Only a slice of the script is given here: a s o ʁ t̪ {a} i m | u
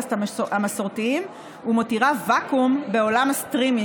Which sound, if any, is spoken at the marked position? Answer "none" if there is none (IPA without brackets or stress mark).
i